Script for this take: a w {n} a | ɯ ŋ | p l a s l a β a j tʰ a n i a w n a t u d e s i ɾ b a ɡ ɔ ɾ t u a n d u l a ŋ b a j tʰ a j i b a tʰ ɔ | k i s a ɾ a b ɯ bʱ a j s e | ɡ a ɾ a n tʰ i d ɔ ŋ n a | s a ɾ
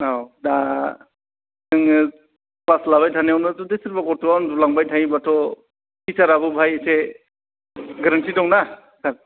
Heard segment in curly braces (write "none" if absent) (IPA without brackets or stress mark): d